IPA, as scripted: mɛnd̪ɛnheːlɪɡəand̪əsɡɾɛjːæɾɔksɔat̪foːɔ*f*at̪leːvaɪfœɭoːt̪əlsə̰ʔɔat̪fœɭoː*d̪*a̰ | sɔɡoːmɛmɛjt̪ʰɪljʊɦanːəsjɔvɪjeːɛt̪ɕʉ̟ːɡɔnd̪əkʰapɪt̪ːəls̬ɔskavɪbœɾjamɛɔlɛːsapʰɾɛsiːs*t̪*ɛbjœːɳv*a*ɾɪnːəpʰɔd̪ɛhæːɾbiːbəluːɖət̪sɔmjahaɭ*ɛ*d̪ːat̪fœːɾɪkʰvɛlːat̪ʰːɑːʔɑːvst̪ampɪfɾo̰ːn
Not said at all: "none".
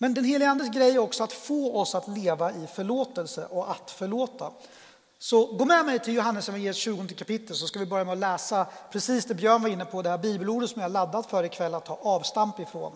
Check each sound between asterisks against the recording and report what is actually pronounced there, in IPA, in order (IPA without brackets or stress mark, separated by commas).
s, t̪, d̪, a, a